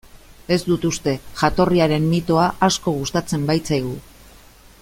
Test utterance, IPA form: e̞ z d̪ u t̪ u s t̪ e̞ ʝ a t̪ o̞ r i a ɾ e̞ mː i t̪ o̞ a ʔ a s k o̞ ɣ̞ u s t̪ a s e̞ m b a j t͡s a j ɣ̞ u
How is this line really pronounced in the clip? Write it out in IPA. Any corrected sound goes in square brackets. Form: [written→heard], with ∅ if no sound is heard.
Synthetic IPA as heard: e̞ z d̪ u t̪ u s t̪ e̞ ʝ a t̪ o̞ r i a ɾ e̞ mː i t̪ o̞ a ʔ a s k o̞ ɣ̞ u s t̪ a [s→t͡s] e̞ m b a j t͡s a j ɣ̞ u